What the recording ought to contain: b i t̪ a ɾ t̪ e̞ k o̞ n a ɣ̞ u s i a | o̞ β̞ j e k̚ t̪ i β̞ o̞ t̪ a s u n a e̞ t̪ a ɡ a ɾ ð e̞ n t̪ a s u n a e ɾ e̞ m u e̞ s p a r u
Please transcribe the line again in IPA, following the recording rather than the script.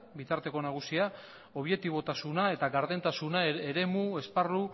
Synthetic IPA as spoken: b i t̪ a ɾ t̪ e̞ k o̞ n a ɣ̞ u s i a | o̞ β̞ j e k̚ t̪ i β̞ o̞ t̪ a s u n a e̞ t̪ a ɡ a ɾ ð e̞ n t̪ a s u n a e ɾ e̞ m u e̞ s p a r u